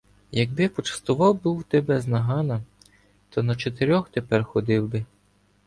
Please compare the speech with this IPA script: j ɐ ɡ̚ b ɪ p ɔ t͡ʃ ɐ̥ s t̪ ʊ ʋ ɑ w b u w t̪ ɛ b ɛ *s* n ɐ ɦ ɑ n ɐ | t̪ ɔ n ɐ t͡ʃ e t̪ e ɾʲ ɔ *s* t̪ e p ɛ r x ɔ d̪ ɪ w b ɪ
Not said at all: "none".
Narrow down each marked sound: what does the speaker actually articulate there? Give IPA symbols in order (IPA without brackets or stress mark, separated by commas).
z, x